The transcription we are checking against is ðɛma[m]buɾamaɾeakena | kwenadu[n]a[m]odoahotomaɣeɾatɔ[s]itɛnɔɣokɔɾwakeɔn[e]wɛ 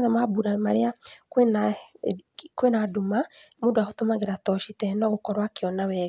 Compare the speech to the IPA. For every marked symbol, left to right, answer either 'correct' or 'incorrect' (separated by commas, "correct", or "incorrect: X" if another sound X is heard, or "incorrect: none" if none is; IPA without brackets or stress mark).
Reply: incorrect: none, incorrect: m, correct, incorrect: ʃ, incorrect: a